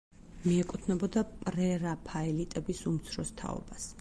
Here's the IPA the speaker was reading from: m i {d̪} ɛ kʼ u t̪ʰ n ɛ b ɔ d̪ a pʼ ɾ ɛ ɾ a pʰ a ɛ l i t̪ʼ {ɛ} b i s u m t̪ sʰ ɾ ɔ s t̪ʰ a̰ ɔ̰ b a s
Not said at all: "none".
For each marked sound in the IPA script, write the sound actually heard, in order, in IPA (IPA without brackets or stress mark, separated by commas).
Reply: none, ɛ